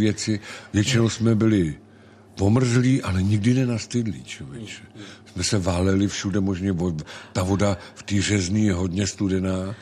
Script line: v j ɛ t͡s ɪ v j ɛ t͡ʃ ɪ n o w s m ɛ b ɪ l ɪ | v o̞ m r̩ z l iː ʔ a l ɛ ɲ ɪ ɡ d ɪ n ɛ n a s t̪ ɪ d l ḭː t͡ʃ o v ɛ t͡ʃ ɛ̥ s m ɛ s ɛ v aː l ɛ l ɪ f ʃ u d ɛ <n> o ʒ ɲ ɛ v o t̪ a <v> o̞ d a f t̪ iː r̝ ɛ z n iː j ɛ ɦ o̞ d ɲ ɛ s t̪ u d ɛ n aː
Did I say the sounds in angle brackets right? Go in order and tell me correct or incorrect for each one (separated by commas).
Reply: incorrect, correct